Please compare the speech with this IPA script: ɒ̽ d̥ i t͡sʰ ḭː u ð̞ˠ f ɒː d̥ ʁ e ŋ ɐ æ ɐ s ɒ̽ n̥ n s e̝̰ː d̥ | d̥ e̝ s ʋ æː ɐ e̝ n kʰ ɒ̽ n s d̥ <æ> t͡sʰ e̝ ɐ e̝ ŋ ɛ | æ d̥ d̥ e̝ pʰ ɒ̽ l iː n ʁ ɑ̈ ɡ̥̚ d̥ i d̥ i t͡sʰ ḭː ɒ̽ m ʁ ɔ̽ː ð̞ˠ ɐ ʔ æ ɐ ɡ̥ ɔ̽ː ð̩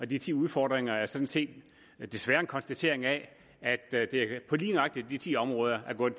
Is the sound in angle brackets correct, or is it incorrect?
correct